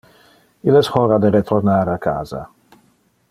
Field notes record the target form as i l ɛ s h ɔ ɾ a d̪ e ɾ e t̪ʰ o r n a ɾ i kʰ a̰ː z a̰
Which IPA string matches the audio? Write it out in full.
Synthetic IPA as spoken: i l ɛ s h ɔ ɾ a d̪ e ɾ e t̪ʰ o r n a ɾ a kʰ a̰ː z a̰

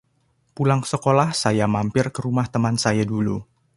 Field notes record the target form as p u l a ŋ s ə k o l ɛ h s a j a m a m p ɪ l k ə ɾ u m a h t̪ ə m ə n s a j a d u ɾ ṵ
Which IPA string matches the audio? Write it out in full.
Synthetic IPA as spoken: p u l a ŋ s ə k o l a h s a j a m a m p ɪ r k ə ɾ u m a h t̪ ə m a n s a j a d u l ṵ

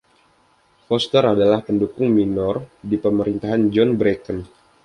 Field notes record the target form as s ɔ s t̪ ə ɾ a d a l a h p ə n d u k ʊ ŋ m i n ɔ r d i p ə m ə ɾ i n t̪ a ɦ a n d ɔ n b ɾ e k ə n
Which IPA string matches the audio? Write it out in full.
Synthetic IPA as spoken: f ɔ s t̪ ə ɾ a d a l a h p ə n d u k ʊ ŋ m i n ɔ r d i p ə m ə ɾ i n t̪ a ɦ a n d͡ʒ ɔ n b ɾ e k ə n

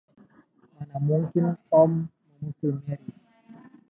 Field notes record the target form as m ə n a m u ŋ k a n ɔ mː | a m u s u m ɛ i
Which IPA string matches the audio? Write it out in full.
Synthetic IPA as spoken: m a n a m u ŋ k i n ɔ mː | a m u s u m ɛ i

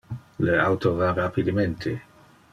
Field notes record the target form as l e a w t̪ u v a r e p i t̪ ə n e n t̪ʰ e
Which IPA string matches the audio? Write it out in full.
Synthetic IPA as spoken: l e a w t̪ o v a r a p i d̪ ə m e n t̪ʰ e

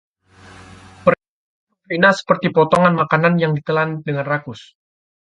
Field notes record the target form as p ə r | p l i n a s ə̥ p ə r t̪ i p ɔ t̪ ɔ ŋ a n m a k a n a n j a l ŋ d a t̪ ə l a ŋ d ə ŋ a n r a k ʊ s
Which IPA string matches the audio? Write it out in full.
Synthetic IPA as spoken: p ə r | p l i n a s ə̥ p ə r t̪ i p ɔ t̪ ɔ ŋ a n m a k a n a n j a ŋ d i t̪ ə l a n d ə ŋ a n r a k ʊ s

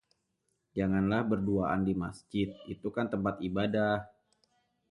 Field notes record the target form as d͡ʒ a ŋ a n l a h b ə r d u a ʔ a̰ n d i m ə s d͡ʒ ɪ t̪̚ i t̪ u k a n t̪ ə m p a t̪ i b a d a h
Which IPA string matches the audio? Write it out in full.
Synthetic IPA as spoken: d͡ʒ a ŋ a n l a h b ə r d u a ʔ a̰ n d i m a s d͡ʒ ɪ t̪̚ i t̪ u k a n t̪ ə m p a t̪ i b a d a h

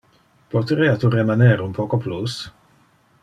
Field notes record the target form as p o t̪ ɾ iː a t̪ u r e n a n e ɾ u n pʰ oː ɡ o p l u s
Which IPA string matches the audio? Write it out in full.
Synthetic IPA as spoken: p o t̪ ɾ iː a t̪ u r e m a n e ɾ u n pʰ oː k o p l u s

